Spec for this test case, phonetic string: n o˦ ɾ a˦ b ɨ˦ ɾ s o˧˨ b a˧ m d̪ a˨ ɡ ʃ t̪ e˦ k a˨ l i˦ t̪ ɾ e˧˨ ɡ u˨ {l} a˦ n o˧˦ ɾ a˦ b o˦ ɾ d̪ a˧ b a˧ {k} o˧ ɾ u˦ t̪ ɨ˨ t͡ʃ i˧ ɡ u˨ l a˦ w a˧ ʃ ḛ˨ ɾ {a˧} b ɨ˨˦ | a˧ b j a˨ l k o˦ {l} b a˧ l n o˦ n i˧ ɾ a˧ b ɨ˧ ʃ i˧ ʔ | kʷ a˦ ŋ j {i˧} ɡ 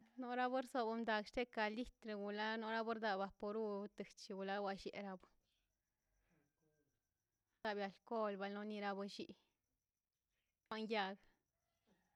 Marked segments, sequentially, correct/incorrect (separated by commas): correct, incorrect, correct, correct, incorrect